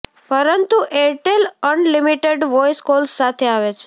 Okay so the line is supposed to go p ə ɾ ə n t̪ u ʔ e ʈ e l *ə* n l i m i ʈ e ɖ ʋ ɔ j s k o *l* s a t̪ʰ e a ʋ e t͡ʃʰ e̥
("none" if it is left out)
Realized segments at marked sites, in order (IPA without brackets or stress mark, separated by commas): ə, l